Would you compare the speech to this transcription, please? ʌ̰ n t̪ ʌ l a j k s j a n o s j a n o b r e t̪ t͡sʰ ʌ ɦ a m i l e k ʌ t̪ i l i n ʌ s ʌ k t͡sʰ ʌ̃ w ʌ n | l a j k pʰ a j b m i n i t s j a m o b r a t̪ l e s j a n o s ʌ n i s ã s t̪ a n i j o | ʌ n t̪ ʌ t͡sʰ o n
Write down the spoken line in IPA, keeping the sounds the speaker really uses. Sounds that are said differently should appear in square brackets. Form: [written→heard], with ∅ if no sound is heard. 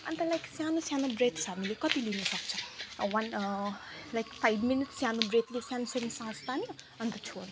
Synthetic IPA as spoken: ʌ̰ n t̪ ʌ l a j k s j a n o s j a n o b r e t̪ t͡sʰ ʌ ɦ a m i l e k ʌ t̪ i l i n ʌ s ʌ k t͡sʰ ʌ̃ w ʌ n | l a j k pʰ a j b m i n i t s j a [m→n] o b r [a→e] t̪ l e s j a n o s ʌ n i s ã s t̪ a n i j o | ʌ n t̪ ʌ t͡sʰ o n